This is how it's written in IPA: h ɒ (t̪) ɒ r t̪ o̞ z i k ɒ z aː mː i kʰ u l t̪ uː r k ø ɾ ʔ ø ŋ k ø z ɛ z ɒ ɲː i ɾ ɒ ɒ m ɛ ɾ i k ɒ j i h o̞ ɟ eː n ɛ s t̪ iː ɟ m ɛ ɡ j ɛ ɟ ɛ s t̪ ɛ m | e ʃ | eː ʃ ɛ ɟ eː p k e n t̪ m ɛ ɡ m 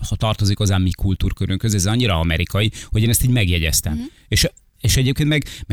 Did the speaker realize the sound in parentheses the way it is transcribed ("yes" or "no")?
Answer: yes